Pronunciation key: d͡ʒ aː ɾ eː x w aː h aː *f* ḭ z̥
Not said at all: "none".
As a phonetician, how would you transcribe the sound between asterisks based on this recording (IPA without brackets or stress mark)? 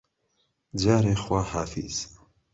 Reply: f